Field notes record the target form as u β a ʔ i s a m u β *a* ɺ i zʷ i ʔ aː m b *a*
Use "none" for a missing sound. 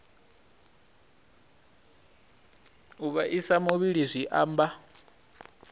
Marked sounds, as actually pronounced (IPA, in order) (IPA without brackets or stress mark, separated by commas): i, a